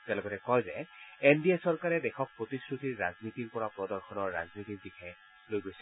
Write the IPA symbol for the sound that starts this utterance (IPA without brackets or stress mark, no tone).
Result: t